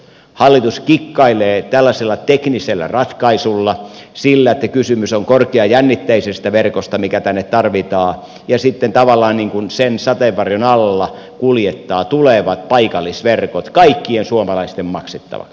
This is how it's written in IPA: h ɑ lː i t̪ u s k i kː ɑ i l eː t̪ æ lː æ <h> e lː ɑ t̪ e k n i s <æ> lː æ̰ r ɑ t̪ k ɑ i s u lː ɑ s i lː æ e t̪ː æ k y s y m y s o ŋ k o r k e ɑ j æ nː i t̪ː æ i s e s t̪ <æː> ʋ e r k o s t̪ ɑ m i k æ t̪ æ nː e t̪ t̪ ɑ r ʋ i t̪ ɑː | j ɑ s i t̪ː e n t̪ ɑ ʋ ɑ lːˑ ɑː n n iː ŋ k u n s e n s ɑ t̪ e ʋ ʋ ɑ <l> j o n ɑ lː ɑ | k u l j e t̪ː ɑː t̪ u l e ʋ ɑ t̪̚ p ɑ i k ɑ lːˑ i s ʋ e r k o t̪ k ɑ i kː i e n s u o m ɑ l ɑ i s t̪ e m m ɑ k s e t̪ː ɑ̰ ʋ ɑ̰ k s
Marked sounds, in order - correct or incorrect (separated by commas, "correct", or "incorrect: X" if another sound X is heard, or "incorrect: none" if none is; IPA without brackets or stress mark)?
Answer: incorrect: s, incorrect: e, incorrect: æ, incorrect: r